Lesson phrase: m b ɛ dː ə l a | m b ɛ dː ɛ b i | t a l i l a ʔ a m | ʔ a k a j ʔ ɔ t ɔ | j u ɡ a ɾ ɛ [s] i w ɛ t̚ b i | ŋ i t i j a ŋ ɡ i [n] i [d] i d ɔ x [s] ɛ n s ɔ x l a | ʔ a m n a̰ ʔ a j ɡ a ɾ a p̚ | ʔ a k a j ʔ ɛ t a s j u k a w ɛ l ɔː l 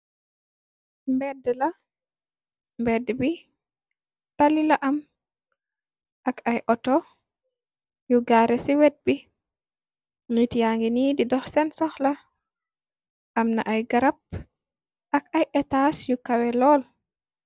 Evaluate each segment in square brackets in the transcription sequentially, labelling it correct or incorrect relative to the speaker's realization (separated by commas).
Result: correct, correct, correct, correct